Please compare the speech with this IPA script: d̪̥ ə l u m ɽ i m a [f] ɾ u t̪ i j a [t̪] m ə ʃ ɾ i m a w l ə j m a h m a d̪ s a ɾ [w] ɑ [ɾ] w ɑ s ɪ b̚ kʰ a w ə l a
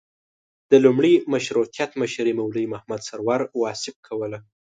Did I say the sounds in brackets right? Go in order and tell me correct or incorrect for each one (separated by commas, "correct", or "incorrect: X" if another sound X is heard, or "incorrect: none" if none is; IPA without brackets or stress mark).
incorrect: ʃ, correct, correct, correct